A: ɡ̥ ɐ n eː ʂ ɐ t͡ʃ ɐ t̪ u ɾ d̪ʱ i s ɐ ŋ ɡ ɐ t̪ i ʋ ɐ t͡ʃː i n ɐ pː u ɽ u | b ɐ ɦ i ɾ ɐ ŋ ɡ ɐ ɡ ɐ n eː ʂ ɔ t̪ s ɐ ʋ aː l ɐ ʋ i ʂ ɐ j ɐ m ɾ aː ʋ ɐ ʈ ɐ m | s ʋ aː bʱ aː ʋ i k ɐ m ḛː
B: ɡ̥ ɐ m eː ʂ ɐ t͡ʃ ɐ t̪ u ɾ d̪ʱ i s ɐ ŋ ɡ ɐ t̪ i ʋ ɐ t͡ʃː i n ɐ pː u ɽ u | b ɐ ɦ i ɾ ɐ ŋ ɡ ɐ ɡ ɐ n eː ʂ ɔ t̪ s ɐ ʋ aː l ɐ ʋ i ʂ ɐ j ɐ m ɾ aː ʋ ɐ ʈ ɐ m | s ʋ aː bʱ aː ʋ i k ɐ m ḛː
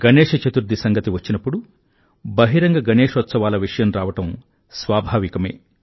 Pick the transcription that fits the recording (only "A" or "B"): A